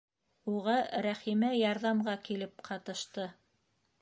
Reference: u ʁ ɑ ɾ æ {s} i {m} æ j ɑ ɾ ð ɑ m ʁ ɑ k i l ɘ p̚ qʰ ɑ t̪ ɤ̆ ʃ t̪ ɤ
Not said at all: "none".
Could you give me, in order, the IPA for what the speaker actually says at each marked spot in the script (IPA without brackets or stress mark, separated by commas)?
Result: χ, m